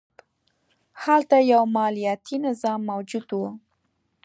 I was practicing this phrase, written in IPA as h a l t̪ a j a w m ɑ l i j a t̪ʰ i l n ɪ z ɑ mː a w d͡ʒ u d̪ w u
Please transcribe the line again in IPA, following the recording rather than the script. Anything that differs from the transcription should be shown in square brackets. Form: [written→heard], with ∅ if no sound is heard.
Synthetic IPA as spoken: h a l t̪ a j a w m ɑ l i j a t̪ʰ i [l→∅] n ɪ z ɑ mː a w d͡ʒ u d̪ w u